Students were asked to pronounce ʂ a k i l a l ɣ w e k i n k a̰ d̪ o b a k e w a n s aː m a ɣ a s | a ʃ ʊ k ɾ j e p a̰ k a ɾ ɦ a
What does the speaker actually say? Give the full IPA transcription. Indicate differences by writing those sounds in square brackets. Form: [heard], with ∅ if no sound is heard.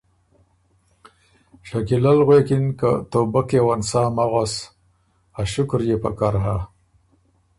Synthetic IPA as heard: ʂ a k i l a l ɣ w e k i n k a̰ [t̪] o b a k e w a n s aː m a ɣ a s | a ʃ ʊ k ɾ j e p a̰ k a ɾ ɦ a